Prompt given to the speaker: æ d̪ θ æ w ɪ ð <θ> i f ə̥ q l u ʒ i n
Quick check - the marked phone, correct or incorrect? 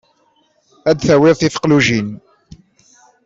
correct